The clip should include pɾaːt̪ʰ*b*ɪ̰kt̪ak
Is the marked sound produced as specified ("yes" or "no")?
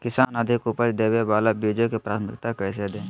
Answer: no